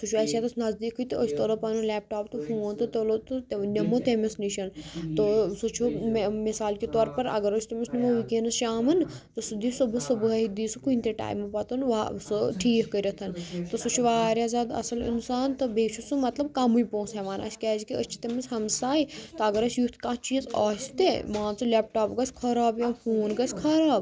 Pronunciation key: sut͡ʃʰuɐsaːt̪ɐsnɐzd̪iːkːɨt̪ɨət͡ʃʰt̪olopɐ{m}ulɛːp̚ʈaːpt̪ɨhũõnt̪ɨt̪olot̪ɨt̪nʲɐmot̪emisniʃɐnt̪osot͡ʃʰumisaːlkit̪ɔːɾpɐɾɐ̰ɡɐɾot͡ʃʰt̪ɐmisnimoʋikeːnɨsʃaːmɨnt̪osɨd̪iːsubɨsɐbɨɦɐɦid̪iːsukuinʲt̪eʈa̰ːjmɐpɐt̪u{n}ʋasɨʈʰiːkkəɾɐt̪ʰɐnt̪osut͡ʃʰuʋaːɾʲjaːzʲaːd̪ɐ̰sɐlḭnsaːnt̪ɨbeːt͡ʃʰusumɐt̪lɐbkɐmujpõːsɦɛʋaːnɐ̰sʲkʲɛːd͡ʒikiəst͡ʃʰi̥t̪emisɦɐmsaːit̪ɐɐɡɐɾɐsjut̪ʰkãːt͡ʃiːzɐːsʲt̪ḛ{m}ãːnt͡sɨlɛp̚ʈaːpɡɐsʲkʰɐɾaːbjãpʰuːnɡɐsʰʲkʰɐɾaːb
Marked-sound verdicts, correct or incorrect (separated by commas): incorrect, correct, correct